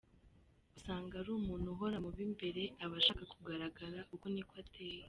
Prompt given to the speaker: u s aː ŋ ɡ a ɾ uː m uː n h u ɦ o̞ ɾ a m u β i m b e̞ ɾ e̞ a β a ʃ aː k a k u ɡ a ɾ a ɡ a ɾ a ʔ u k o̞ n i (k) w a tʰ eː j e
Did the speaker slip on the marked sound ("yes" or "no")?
no